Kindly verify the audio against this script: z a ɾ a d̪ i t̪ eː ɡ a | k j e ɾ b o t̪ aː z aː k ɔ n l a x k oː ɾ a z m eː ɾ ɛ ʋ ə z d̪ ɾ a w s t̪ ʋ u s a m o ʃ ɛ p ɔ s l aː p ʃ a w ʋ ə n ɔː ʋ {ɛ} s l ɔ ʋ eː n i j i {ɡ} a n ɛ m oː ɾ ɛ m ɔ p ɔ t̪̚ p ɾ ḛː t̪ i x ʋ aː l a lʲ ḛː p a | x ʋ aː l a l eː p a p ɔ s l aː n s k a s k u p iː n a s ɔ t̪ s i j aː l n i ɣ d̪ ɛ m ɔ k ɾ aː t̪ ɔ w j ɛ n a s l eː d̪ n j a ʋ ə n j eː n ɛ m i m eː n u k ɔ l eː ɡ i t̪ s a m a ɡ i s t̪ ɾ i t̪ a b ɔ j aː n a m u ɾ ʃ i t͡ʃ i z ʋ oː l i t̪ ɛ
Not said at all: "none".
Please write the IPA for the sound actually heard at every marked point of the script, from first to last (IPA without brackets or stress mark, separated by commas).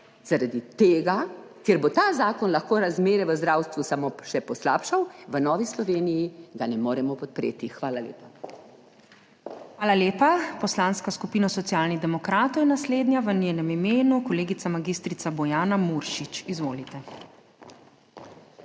i, ɡ